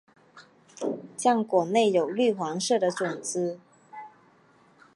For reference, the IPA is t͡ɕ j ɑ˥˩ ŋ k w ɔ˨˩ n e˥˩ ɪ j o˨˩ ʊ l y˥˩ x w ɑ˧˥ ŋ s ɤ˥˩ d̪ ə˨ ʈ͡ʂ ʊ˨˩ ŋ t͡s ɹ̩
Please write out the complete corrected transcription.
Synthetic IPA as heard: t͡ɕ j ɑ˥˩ ŋ k w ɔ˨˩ n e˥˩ ɪ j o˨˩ ʊ l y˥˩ x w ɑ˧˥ ŋ ʂ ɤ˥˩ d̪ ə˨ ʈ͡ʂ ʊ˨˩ ŋ t͡s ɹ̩